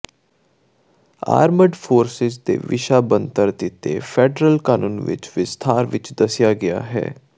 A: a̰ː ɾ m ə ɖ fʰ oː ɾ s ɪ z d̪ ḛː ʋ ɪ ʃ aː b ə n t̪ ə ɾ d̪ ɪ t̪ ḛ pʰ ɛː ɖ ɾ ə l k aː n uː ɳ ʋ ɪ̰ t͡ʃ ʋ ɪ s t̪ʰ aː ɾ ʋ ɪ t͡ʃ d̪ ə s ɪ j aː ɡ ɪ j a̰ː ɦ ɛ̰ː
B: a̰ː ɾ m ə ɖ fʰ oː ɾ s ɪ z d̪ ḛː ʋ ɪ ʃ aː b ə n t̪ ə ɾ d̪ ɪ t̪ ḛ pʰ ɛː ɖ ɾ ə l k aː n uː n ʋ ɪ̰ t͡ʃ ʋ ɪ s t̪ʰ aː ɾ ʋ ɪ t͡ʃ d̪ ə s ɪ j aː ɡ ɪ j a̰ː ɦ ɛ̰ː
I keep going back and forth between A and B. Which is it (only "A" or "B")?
B